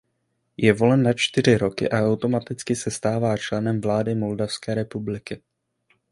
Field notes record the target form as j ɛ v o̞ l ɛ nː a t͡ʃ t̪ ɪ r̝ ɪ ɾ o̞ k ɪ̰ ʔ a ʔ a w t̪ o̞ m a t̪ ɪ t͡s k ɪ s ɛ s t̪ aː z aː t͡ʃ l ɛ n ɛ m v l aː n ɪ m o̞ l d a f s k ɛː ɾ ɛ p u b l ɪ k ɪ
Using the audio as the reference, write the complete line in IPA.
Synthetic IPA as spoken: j ɛ v o̞ l ɛ nː a t͡ʃ t̪ ɪ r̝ ɪ ɾ o̞ k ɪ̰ ʔ a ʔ a w t̪ o̞ m a t̪ ɪ t͡s k ɪ s ɛ s t̪ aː v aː t͡ʃ l ɛ n ɛ m v l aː d ɪ m o̞ l d a f s k ɛː ɾ ɛ p u b l ɪ k ɪ